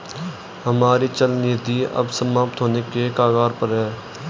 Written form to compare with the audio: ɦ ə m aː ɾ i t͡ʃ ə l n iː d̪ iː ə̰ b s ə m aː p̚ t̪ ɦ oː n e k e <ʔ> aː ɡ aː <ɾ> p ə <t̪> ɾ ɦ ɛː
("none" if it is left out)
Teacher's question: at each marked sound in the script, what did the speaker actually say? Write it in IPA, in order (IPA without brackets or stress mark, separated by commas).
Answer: k, ɾ, none